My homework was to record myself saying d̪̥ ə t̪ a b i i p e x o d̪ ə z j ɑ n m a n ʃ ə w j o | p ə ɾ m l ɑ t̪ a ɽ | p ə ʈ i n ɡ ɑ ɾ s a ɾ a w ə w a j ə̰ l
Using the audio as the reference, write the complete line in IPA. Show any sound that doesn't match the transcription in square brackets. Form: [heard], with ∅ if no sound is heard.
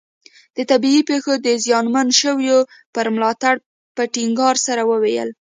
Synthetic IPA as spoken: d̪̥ ə t̪ a b i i p e x o d̪ ə z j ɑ n m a n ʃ ə w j o | p ə ɾ m l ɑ t̪ a ɽ | p ə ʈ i [ŋ] ɡ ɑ ɾ s a ɾ a w ə w [e] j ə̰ l